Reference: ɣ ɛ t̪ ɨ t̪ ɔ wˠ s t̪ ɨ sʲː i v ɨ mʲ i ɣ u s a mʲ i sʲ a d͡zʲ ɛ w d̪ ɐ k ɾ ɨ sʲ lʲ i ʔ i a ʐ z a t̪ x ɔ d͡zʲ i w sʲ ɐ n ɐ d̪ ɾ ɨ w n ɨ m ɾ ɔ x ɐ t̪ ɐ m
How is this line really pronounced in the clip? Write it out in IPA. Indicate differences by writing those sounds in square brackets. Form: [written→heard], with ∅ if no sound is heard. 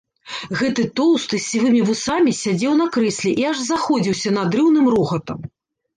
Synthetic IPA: ɣ ɛ t̪ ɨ t̪ ɔ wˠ s t̪ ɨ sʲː i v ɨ mʲ i [ɣ→v] u s a mʲ i sʲ a d͡zʲ ɛ w [d̪→n̪] ɐ k ɾ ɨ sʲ lʲ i ʔ i a ʐ z a [t̪→∅] x ɔ d͡zʲ i w sʲ ɐ n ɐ d̪ ɾ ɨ w n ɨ m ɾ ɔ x ɐ t̪ ɐ m